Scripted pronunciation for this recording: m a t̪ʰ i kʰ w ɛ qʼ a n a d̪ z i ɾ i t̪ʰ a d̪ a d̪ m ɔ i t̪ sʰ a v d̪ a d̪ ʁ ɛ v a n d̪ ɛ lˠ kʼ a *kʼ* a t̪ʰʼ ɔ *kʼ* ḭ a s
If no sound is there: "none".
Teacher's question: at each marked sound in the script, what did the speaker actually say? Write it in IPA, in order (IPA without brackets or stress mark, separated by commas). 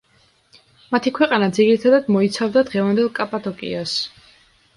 pʼ, kʼ